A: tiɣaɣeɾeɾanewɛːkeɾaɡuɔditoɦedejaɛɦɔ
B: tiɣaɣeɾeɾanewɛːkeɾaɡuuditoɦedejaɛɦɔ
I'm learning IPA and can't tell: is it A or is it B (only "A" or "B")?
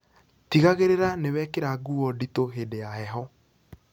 A